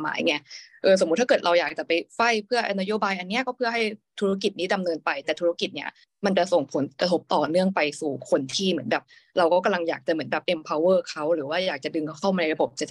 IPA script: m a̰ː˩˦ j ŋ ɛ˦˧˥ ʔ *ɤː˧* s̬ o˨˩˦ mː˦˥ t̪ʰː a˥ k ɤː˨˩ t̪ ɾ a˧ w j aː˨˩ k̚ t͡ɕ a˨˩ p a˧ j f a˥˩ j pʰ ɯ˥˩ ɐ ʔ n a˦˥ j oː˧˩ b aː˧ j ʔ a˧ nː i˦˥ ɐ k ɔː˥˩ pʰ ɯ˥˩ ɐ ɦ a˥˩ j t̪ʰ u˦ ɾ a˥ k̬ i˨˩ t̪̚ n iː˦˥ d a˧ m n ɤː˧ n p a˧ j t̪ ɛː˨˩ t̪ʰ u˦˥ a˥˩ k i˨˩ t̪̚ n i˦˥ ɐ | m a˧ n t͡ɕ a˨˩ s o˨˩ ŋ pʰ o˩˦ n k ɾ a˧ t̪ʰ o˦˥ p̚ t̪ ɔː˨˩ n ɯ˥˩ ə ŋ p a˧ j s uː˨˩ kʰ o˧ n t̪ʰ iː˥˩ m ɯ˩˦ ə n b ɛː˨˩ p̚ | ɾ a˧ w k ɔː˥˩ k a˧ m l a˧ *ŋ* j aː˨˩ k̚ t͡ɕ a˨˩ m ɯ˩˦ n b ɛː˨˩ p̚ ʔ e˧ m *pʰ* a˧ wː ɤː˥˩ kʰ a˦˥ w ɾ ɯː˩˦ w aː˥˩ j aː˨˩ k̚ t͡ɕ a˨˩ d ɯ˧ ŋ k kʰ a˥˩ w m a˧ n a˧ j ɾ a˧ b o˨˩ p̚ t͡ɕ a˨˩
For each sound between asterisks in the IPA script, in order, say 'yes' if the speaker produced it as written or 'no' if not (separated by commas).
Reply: yes, yes, yes